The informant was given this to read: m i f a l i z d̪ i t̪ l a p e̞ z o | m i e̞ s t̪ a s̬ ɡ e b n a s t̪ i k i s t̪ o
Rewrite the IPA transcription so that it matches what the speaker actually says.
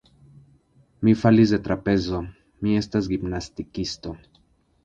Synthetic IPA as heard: m i f a l i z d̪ e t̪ ɾ a p e̞ z o | m i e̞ s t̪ a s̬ ɡ i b n a s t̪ i k i s t̪ o